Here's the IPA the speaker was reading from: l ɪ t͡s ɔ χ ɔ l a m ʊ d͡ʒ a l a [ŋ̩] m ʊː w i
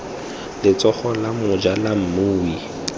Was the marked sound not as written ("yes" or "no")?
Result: yes